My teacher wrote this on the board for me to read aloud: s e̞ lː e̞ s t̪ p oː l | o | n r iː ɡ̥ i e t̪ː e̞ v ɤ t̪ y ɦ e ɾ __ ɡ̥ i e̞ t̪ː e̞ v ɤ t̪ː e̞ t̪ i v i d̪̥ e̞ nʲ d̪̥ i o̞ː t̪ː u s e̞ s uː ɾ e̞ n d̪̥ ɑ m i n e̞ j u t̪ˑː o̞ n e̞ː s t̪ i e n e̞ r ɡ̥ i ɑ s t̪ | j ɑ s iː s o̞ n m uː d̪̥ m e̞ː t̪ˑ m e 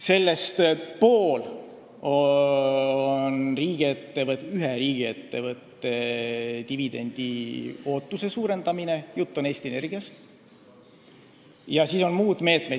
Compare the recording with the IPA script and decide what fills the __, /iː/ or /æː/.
iː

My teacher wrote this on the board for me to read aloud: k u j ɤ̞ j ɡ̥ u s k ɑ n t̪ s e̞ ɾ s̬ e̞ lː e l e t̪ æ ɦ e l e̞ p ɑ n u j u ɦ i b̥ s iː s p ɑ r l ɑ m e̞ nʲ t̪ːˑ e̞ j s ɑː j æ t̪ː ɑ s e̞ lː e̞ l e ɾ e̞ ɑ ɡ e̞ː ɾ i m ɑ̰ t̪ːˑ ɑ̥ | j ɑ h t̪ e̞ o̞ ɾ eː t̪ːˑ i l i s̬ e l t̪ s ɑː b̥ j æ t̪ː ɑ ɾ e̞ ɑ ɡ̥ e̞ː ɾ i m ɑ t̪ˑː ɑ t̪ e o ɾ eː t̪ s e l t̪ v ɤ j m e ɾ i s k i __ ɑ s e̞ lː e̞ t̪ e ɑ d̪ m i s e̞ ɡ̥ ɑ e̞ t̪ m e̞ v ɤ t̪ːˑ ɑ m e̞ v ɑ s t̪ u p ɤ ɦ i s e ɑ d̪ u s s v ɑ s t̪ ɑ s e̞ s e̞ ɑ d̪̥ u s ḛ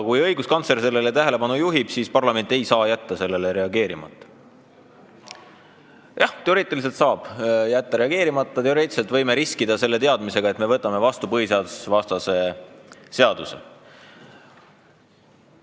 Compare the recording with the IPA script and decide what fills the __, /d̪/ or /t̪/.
d̪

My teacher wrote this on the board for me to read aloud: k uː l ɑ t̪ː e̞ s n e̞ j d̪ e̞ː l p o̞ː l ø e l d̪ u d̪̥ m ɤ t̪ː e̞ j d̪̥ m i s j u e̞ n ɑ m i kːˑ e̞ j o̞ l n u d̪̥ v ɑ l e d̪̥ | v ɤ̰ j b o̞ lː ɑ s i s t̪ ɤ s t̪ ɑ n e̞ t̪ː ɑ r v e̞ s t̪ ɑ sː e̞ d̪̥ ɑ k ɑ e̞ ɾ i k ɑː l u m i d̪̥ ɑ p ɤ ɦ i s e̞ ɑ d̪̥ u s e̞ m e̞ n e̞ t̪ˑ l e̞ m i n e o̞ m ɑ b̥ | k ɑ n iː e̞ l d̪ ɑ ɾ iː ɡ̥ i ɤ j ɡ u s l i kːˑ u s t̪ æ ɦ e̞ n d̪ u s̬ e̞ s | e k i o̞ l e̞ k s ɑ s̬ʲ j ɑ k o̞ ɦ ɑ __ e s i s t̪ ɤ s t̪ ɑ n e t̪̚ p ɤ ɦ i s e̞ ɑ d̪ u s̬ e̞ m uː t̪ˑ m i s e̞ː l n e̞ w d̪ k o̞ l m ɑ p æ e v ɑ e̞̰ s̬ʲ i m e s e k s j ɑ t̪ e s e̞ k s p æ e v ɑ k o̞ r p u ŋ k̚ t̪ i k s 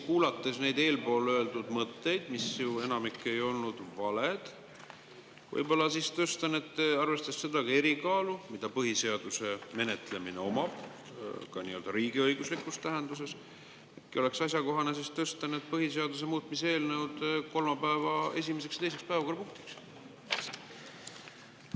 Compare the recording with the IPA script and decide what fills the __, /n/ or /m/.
n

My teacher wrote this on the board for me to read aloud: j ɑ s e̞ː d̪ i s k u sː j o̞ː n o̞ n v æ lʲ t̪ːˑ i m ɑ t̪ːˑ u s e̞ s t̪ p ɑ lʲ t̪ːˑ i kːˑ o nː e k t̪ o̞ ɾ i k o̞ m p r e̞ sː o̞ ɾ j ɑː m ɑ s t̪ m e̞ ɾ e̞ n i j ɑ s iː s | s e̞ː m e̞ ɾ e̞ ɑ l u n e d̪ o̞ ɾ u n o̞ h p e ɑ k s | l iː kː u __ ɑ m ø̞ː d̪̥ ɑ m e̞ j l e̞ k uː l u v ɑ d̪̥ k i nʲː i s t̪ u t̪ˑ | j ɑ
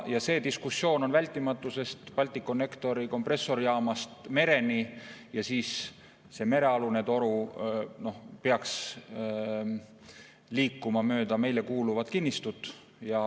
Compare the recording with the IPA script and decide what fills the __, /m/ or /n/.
m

